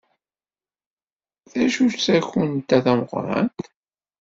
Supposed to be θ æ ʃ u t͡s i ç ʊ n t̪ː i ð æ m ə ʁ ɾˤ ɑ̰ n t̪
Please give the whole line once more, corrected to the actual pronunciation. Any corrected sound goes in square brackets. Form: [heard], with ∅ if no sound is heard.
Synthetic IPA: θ æ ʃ u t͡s [æ] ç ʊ n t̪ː [æ] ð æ m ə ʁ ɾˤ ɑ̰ n t̪